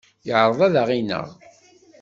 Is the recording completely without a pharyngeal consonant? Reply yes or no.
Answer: no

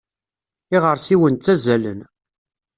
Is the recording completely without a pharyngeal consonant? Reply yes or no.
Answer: yes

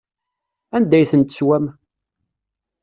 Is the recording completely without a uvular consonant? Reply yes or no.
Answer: yes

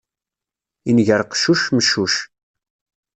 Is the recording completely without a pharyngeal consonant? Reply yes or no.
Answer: yes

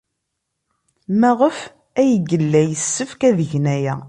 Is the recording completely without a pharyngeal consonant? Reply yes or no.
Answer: yes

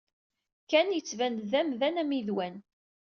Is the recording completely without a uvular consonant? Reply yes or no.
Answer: yes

